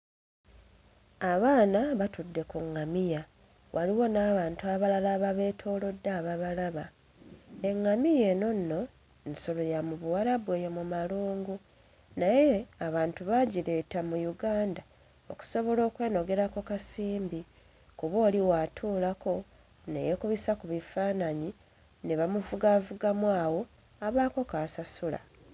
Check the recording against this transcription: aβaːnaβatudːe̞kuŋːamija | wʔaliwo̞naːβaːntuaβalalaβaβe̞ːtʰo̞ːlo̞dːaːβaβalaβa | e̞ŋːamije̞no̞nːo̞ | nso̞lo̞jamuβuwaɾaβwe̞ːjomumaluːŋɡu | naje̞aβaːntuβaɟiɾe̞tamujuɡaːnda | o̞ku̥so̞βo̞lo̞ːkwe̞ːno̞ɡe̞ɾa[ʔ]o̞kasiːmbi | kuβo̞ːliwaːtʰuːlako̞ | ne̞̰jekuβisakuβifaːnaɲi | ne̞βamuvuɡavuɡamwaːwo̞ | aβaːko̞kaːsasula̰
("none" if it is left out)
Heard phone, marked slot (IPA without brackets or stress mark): k